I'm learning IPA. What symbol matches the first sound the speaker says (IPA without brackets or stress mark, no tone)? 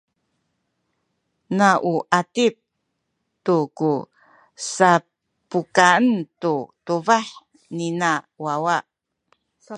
n